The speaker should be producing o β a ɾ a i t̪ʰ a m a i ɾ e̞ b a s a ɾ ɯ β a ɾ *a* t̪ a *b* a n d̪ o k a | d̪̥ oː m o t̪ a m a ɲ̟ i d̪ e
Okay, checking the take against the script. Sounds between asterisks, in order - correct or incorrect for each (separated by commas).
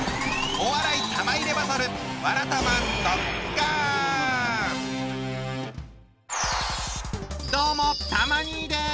correct, incorrect